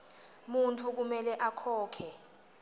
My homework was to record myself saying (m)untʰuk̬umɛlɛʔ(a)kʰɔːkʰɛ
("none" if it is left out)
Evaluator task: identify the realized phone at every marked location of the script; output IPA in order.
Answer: m, a

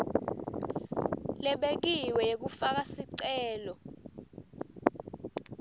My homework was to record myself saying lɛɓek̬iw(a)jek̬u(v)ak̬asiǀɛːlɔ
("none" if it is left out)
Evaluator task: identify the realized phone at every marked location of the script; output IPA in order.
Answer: ɛ, f

